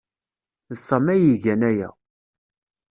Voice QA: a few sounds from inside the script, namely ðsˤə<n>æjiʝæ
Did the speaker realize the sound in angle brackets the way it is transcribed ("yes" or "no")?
no